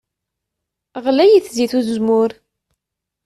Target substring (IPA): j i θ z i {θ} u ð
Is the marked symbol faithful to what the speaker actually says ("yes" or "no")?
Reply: yes